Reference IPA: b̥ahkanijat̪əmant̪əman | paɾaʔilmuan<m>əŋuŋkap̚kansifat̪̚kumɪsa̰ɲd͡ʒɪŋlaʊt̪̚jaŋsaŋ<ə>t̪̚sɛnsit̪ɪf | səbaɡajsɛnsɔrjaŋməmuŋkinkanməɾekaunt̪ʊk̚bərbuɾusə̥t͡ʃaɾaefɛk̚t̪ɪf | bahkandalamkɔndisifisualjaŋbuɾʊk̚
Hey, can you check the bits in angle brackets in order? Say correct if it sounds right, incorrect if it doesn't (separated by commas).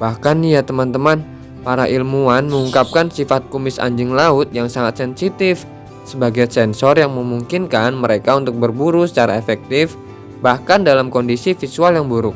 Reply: correct, incorrect